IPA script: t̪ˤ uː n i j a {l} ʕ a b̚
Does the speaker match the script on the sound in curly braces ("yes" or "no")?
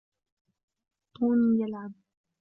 yes